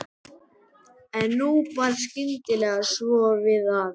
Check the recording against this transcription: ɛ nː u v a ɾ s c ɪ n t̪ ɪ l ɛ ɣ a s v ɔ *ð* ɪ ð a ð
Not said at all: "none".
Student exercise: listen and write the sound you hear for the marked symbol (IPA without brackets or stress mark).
v